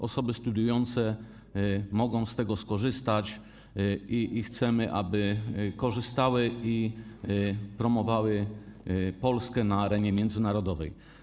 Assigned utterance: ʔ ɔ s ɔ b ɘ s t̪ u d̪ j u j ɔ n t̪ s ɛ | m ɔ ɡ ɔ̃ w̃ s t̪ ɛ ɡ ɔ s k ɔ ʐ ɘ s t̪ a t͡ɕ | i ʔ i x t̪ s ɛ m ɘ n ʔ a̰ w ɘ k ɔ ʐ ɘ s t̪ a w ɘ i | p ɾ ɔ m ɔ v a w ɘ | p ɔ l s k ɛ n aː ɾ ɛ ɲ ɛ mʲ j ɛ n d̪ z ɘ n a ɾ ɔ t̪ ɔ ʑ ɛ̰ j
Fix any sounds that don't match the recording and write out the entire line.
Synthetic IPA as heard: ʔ ɔ s ɔ b ɘ s t̪ u d̪ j u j ɔ n t̪ s ɛ | m ɔ ɡ ɔ̃ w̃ s t̪ ɛ ɡ ɔ s k ɔ ʐ ɘ s t̪ a t͡ɕ | i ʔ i x t̪ s ɛ m ɘ ʔ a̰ b ɘ k ɔ ʐ ɘ s t̪ a w ɘ i | p ɾ ɔ m ɔ v a w ɘ | p ɔ l s k ɛ n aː ɾ ɛ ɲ ɛ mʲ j ɛ n d̪ z ɘ n a ɾ ɔ d̪ ɔ v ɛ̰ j